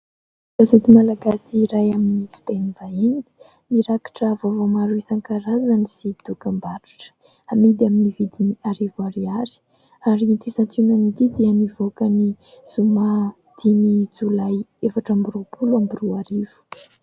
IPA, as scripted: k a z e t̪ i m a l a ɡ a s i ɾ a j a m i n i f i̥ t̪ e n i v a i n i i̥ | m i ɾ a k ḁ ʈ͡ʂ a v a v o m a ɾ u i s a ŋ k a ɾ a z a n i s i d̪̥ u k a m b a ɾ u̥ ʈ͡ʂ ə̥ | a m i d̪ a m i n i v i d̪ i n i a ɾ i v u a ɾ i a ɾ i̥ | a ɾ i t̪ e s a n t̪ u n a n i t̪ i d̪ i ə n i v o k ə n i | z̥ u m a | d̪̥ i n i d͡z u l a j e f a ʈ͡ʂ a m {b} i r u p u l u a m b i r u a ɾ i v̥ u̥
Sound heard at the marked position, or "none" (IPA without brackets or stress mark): b